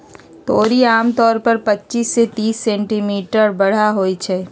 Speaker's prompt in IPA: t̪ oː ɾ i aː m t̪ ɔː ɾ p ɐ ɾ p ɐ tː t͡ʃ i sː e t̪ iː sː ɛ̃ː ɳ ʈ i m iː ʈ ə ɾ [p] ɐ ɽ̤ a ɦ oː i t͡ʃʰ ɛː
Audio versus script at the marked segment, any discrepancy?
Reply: yes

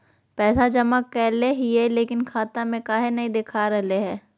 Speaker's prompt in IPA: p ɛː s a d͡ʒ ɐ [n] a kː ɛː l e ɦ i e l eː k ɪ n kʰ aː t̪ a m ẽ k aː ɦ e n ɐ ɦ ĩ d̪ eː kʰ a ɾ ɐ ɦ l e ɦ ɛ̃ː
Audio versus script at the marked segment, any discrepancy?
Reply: yes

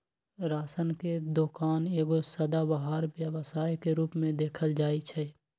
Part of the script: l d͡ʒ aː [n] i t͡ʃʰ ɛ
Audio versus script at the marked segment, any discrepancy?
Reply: yes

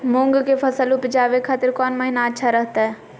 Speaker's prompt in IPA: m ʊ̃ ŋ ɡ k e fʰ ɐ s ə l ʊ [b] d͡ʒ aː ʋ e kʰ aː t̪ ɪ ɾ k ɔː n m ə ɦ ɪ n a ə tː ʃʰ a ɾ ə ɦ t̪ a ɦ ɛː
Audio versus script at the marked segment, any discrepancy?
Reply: yes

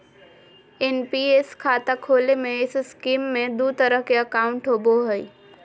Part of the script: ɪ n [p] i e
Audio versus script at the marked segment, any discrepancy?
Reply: no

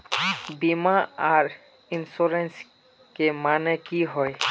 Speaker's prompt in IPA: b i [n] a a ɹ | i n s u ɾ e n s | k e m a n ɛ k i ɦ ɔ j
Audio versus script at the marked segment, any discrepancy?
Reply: yes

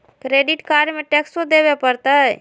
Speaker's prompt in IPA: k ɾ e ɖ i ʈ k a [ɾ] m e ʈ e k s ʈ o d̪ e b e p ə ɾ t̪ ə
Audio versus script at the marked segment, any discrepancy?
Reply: no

